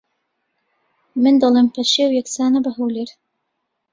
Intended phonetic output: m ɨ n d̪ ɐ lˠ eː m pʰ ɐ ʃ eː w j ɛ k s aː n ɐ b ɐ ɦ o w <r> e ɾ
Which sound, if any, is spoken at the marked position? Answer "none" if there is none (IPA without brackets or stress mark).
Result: l